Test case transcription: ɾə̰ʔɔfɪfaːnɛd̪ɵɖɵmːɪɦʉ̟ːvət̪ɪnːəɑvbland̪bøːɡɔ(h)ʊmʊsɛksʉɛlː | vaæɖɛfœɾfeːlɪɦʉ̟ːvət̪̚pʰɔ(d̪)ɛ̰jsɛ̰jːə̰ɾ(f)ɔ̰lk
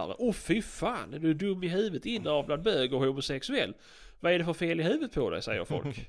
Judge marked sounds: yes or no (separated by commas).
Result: yes, yes, yes